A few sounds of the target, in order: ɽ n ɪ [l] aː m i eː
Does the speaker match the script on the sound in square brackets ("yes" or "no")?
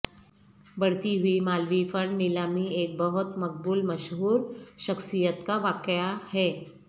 yes